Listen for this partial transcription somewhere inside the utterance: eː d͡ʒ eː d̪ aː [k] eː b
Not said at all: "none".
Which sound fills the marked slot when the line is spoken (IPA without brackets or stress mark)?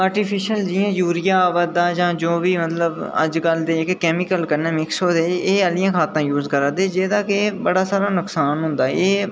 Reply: k